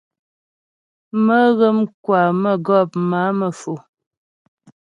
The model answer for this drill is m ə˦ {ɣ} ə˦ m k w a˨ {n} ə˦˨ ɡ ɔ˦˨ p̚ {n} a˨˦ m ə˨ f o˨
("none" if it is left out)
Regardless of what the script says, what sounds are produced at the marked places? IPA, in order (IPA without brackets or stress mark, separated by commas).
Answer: ɣ, m, m